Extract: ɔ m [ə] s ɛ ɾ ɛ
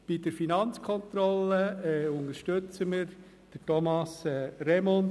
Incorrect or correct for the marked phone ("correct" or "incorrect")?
incorrect